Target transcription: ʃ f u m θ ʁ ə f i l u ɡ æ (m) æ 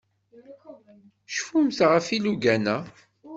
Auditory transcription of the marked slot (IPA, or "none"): n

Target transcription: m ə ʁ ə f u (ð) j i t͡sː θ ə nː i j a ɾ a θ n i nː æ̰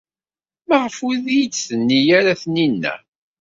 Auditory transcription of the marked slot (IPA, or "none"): ð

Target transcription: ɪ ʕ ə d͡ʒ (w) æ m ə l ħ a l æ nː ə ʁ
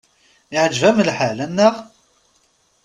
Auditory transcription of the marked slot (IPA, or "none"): v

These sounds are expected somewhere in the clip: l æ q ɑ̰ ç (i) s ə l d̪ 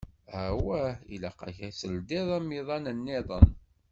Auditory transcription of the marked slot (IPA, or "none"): æ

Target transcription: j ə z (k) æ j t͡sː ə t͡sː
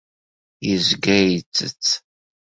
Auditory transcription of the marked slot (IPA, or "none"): ɡ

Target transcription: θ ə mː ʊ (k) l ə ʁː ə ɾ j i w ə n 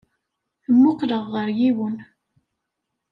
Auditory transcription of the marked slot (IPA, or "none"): q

